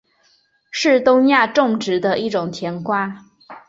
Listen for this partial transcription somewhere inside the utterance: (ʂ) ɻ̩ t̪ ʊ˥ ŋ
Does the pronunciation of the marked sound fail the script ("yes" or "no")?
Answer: no